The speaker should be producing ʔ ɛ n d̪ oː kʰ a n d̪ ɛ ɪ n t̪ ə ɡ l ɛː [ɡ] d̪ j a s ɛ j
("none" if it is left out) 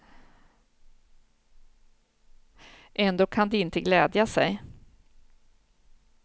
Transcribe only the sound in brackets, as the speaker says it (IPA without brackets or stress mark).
none